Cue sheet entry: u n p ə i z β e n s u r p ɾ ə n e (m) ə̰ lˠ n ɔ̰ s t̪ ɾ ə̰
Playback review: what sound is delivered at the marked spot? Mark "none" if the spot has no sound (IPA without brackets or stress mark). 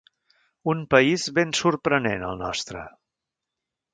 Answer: n